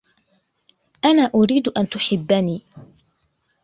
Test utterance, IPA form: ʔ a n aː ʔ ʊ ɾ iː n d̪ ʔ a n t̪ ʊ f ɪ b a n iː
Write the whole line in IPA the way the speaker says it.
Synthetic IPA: ʔ a n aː ʔ ʊ ɾ iː d̪ ʔ a n t̪ ʊ ħ ɪ bː a n iː